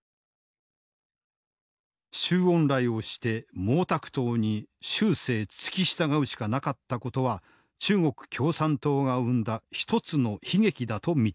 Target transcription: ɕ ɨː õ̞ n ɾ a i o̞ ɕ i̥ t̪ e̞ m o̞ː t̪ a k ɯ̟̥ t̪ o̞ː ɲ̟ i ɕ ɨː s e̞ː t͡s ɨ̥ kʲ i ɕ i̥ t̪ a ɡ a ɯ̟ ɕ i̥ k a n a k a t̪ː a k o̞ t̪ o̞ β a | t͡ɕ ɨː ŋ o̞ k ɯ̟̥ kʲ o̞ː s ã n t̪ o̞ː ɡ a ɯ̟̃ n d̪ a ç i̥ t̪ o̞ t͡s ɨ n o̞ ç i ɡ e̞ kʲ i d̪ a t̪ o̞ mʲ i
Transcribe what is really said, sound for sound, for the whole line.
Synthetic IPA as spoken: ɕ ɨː õ̞ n ɾ a i o̞ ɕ i̥ t̪ e̞ m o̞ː t̪ a k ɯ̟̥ t̪ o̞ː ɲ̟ i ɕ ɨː s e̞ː t͡s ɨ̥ kʲ i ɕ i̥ t̪ a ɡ a ɯ̟ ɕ i̥ k a n a k a t̪ː a k o̞ t̪ o̞ β a | t͡ɕ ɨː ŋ o̞ k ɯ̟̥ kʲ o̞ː s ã n t̪ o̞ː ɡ a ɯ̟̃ n d̪ a ç i̥ t̪ o̞ t͡s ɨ n o̞ ç i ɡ e̞ kʲ i d̪ a t̪ o̞ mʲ i